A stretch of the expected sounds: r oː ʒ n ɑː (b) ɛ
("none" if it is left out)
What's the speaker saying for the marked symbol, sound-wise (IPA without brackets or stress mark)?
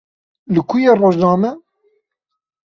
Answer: m